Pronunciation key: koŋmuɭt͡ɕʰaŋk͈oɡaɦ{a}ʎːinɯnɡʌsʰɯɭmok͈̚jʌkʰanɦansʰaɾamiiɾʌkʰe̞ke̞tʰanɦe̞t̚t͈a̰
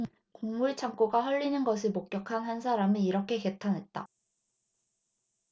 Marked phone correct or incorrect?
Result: incorrect